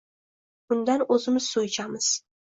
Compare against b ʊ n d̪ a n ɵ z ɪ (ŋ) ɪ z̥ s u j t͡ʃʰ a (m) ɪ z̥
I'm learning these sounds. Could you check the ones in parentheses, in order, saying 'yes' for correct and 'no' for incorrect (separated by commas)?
no, yes